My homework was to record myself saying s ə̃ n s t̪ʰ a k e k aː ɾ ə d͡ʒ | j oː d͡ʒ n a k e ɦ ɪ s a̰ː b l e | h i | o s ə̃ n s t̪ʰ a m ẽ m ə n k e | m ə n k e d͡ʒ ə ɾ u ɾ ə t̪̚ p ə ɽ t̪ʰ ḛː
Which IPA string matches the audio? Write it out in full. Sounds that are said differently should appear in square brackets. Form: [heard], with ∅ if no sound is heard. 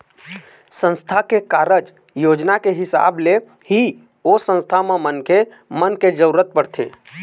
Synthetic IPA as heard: s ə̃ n s t̪ʰ a k e k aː ɾ ə d͡ʒ | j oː d͡ʒ n a k e ɦ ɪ s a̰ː b l e | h i | o s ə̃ n s t̪ʰ a m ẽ m ə n k e | m ə n k e d͡ʒ ə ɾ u ɾ ə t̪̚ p ə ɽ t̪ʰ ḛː